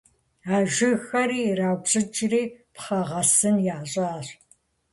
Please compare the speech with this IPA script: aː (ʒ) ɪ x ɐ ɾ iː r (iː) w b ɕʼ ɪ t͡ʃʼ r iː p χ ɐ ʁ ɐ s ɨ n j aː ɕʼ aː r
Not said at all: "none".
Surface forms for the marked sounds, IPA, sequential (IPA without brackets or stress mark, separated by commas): ʒ, aː